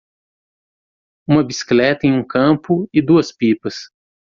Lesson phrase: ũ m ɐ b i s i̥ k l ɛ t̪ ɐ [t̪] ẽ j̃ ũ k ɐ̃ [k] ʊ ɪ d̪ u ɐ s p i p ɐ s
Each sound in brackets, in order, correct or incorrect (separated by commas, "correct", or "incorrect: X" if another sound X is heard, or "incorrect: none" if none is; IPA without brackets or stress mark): incorrect: none, incorrect: p